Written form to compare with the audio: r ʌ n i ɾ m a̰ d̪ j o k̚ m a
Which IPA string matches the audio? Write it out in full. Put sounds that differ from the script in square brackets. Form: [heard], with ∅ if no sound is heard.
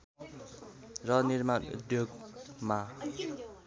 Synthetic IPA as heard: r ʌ n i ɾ m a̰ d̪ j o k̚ m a